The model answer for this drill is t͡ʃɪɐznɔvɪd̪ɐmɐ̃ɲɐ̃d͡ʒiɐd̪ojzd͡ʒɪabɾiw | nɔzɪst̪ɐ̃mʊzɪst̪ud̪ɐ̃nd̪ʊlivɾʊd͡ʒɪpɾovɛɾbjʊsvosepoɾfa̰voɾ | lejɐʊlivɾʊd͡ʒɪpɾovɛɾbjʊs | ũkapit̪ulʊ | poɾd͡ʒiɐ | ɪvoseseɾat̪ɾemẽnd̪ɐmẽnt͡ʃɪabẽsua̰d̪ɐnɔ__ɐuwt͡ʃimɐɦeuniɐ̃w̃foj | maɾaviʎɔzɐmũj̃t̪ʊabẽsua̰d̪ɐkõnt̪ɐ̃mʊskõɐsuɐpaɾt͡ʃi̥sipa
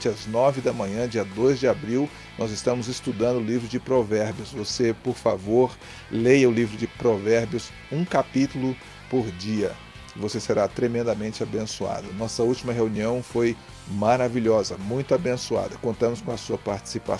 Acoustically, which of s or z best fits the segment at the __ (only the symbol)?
s